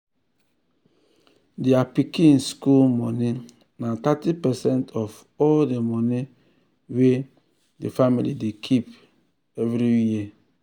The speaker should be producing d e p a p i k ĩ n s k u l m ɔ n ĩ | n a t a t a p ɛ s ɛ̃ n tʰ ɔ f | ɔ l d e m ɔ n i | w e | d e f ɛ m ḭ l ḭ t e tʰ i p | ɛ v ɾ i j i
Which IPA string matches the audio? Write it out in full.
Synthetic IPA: d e a p i k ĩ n s k u l m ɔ n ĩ | n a t a t i p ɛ s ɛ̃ n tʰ ɔ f | ɔ l d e m ɔ n i | w e | d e f a m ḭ l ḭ d e kʰ i p | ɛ v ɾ i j i